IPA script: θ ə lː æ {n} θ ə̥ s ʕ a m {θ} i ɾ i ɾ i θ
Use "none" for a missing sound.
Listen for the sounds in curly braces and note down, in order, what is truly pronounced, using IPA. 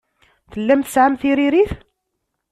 m, θ

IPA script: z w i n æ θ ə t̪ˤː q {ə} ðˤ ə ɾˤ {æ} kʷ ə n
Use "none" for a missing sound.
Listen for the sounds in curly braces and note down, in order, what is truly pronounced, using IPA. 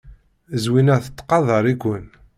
ɑ, i

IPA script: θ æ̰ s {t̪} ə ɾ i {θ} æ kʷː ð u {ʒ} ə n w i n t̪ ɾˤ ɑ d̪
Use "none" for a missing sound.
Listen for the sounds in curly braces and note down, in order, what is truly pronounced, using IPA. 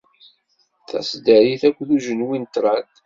d̪, θ, ʒ

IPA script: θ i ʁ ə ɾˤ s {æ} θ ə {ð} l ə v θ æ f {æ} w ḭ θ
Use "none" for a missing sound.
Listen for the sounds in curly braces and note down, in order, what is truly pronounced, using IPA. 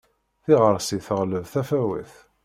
i, ʁ, æ

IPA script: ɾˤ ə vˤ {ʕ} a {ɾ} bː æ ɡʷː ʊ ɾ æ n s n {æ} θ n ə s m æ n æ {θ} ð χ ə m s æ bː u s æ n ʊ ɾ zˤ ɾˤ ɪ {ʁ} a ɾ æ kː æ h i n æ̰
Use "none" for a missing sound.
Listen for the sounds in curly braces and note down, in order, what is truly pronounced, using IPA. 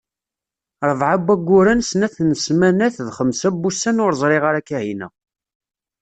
ʕ, none, æ, θ, ʁ

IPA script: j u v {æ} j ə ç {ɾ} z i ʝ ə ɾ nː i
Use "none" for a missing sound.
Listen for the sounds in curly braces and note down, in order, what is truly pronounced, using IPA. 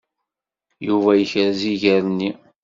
æ, ɾ

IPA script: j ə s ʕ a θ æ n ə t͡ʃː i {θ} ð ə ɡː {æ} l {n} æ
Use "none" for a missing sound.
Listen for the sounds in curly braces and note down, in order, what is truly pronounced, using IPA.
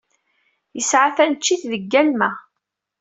θ, æ, m

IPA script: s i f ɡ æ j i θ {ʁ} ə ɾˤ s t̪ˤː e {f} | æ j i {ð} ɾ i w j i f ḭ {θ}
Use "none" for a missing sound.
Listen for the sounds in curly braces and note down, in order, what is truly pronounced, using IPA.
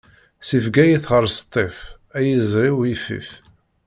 ʁ, f, z, f

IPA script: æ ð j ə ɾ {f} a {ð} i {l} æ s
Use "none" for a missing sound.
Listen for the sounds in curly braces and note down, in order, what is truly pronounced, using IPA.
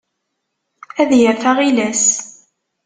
θ, ʁ, l

